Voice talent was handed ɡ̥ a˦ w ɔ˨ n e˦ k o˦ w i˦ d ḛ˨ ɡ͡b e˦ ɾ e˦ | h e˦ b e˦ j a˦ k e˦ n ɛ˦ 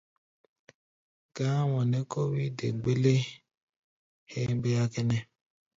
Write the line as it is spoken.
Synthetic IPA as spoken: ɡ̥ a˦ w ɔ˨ n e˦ k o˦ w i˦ d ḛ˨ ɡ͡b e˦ l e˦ | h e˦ b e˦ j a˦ k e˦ n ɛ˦